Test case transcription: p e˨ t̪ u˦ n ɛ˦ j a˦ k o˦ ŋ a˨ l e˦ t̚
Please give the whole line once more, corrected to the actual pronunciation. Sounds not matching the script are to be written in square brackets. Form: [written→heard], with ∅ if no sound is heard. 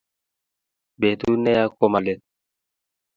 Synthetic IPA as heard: [p→b] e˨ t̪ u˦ n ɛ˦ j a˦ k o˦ [ŋ→m] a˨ l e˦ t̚